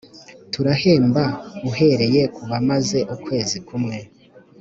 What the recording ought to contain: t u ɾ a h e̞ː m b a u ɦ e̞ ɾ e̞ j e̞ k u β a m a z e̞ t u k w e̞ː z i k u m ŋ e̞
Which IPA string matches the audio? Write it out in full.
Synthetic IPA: t u ɾ a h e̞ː m b a u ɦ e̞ ɾ e̞ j e̞ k u β a m a z e̞ ʔ u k w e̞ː z i k u m ŋ e̞